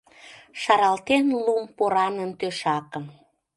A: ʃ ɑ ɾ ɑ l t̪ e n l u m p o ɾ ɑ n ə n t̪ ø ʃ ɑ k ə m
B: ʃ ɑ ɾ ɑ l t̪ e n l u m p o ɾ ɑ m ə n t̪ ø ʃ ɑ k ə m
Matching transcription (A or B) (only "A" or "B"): A